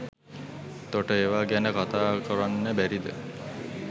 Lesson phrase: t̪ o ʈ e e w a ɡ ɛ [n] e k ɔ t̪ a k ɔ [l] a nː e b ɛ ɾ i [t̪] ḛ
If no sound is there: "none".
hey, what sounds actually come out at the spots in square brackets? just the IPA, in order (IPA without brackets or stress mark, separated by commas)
n, ɾ, d̪